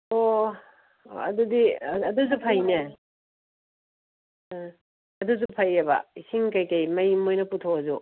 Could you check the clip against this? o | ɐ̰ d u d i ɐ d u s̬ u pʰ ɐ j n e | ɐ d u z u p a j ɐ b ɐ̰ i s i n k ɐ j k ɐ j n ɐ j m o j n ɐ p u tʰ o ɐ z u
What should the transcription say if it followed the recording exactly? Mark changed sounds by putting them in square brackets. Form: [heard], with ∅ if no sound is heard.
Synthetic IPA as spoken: o | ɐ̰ d u d i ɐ d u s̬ u pʰ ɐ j n e | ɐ d u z u [pʰ] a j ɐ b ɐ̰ i s i [ŋ] k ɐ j k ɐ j [m] ɐ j m o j n ɐ p u tʰ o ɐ z u